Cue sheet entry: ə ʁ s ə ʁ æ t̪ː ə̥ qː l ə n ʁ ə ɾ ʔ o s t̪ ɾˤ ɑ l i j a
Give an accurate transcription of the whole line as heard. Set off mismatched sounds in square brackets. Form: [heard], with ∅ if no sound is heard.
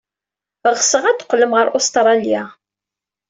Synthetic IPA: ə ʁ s ə ʁ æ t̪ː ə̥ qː l ə [m] ʁ ə ɾ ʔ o s t̪ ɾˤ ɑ l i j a